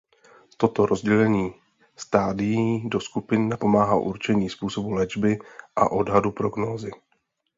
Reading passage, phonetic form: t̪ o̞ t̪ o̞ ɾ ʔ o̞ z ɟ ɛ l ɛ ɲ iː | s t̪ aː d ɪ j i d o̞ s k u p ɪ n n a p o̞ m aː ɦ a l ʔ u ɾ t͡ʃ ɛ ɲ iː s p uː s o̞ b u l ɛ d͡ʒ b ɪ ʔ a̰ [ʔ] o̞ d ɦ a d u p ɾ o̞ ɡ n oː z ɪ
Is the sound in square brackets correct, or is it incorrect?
correct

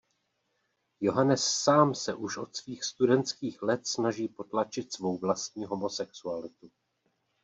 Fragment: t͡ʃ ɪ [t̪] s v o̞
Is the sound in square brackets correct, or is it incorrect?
correct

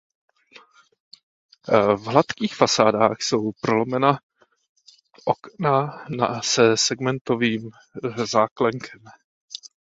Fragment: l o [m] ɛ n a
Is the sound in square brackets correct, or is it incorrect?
correct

